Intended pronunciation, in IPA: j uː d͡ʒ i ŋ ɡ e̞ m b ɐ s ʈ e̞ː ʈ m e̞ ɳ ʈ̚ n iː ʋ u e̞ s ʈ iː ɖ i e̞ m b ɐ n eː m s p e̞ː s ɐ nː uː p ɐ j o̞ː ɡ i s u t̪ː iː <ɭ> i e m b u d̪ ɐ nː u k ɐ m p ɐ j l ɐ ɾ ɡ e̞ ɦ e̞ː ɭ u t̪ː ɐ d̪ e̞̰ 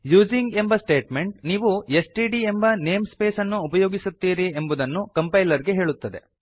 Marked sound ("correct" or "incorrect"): incorrect